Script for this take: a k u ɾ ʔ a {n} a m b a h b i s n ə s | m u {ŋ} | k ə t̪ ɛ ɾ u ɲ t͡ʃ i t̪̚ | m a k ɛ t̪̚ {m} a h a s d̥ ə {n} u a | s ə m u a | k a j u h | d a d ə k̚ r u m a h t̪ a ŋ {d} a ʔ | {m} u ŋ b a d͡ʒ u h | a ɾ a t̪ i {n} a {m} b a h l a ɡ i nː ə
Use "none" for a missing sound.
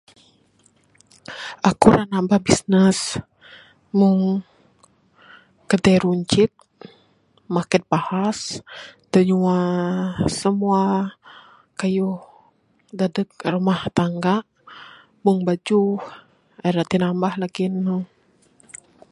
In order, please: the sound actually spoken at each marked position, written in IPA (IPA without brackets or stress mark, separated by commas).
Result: n, ŋ, b, ɲ, ɡ, m, n, m